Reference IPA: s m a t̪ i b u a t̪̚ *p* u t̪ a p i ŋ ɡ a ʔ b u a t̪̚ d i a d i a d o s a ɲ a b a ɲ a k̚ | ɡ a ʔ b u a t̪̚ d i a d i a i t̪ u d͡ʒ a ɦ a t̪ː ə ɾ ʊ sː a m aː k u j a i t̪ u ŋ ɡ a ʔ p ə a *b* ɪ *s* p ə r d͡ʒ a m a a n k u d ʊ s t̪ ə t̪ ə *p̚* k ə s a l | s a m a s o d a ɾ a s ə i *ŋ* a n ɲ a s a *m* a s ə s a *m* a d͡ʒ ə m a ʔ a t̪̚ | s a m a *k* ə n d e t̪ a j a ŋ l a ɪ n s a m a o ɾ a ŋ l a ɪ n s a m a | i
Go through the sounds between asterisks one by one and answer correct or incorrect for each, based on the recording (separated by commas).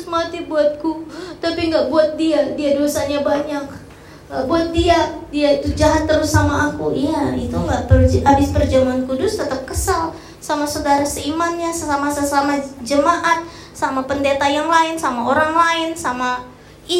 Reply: incorrect, correct, correct, correct, incorrect, correct, correct, incorrect